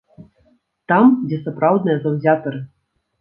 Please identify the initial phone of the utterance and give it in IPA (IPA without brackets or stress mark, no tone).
t̪